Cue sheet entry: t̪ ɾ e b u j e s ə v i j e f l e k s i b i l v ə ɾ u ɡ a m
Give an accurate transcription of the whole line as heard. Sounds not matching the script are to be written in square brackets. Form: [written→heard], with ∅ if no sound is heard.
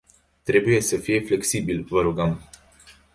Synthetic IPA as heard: t̪ ɾ e b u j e s ə [v→f] i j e f l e k s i b i l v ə ɾ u ɡ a m